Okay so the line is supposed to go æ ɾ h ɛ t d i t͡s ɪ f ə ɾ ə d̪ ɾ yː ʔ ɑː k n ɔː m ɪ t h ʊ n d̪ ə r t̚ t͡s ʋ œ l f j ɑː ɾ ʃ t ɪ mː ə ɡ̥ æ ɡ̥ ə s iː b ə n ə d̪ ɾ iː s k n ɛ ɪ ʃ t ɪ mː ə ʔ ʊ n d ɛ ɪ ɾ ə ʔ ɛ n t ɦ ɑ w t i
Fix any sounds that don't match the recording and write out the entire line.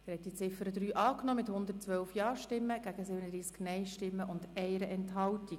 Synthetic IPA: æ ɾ h ɛ t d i t͡s ɪ f ə ɾ ə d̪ ɾ yː ʔ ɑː k n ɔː m ɪ t h ʊ n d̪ ə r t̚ t͡s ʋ œ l f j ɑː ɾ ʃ t ɪ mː ə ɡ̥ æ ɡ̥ ə s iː b ə n ə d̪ ɾ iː s k n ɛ ɪ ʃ t ɪ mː ə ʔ ʊ n d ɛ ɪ ɾ ə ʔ ɛ n t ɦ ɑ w t i